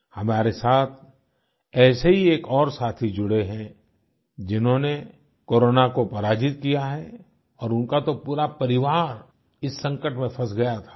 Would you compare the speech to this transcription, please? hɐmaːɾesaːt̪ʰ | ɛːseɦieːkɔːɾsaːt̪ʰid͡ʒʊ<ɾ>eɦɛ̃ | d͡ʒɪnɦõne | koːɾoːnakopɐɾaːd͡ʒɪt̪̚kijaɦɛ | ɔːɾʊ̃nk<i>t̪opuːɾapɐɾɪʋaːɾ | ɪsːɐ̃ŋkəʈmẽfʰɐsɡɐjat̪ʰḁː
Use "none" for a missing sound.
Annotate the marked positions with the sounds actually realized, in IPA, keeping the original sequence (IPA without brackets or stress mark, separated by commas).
ɽ, a